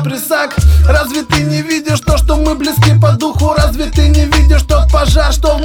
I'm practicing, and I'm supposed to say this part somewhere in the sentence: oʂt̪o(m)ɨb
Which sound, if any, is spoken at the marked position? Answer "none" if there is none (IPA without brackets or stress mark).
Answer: m